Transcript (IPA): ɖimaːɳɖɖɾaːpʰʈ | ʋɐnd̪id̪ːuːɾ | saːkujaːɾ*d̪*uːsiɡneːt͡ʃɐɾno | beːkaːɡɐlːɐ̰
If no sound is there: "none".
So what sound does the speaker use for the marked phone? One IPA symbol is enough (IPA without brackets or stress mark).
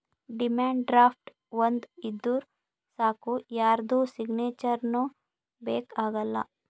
d̪